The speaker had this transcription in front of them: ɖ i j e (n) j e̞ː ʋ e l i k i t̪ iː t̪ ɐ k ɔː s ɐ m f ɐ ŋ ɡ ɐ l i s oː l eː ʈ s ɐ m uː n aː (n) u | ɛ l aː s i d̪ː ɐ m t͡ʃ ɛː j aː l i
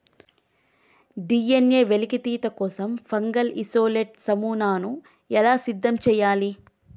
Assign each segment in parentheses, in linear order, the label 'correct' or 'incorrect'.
correct, correct

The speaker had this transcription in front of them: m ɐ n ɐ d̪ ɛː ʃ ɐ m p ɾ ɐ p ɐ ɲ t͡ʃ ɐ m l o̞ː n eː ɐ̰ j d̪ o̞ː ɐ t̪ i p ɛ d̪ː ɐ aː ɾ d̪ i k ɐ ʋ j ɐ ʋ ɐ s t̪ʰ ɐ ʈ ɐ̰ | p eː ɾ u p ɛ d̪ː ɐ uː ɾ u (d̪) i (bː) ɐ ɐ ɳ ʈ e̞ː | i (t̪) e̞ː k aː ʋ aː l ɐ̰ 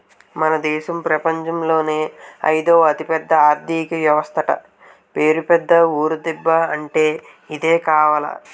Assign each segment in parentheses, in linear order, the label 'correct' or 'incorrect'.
correct, correct, incorrect: d̪

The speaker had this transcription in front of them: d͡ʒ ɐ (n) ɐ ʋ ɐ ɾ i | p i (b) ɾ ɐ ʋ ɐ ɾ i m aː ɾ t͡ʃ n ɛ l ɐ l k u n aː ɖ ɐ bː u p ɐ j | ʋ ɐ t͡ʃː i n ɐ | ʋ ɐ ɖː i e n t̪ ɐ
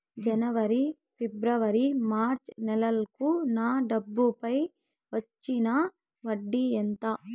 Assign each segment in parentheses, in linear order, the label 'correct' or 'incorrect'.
correct, correct

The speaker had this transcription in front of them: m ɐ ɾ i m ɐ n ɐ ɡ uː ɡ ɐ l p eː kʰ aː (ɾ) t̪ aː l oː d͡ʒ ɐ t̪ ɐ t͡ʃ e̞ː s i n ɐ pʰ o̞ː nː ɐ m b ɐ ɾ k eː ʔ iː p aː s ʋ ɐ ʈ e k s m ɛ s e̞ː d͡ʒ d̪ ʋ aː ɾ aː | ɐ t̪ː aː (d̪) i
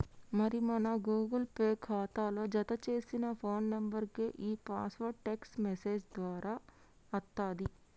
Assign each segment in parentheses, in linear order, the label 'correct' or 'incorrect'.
incorrect: none, correct

